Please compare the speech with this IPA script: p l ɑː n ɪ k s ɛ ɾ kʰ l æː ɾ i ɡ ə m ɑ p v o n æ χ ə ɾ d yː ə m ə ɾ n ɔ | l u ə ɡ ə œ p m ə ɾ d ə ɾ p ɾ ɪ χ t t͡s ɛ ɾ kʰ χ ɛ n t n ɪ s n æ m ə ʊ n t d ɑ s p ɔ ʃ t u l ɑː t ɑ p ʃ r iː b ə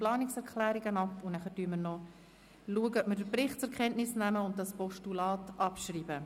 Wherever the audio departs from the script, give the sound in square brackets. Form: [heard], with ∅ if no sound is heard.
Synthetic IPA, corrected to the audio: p l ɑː n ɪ k s ɛ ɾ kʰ l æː ɾ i ɡ ə [n] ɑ p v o n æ χ ə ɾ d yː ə m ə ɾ n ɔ | l u ə ɡ ə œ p m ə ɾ d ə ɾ p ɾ ɪ χ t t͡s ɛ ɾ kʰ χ ɛ n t n ɪ s n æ m ə ʊ n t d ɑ s p ɔ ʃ t u l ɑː t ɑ p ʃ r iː b ə